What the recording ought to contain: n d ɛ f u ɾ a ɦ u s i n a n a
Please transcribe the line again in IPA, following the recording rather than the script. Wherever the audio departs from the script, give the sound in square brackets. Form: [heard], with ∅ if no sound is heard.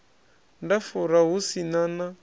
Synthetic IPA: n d [a] f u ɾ a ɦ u s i n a n a